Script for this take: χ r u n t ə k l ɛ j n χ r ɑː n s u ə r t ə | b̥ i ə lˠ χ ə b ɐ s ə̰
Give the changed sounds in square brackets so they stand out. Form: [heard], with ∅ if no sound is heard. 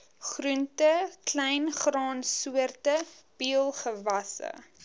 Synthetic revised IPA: χ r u n t ə k l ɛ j n χ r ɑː n s u ə r t ə | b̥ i ə lˠ χ ə [v] ɐ s ə̰

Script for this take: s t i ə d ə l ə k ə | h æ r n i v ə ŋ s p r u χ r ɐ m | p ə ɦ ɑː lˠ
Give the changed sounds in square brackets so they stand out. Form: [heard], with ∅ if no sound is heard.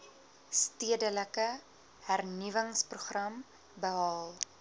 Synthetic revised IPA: s t i ə d ə l ə k ə | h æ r n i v ə ŋ s p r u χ r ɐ m | [b] ə ɦ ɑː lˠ

